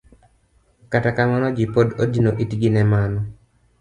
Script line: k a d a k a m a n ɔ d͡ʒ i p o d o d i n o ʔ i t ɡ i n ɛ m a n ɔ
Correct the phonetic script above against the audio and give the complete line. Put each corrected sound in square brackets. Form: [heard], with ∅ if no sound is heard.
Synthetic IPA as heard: k a [t] a k a m a n ɔ d͡ʒ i p o d o d i n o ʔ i t ɡ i n ɛ m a n ɔ